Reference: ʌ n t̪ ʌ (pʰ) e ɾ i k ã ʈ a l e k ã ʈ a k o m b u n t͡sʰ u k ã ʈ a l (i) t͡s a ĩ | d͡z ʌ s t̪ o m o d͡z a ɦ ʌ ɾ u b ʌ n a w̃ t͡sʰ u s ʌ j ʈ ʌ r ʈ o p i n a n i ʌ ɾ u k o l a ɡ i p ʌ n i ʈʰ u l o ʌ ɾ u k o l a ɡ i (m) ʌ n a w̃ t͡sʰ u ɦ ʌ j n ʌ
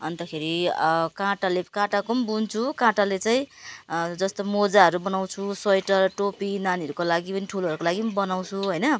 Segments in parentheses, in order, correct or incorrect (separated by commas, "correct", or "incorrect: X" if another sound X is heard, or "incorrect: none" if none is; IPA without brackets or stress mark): incorrect: kʰ, incorrect: e, incorrect: b